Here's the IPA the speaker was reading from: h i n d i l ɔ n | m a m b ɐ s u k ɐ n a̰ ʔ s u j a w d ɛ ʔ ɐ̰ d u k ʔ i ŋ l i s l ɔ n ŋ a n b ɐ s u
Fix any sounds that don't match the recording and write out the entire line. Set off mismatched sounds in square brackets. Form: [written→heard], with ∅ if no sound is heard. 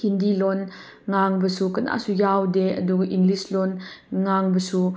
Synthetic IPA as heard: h i n d i l ɔ n | [m→ŋ] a [m→ŋ] b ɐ s u k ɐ n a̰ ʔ s u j a w d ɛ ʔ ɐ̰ d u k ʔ i ŋ l i s l ɔ n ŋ a [n→ŋ] b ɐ s u

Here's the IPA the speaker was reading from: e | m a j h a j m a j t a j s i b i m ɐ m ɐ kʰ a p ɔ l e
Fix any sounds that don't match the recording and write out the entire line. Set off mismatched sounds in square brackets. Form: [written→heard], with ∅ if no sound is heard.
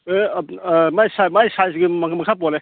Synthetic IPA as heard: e | m a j [h→s] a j m a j [t→s] a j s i [b→ɡ] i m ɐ m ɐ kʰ a p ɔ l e

